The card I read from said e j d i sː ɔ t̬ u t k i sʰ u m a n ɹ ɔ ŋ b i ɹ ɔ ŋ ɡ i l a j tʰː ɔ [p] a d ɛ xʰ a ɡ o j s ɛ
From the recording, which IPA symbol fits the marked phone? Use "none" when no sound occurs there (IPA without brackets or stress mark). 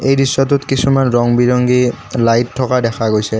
k